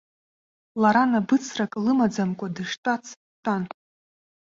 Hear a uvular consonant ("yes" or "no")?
no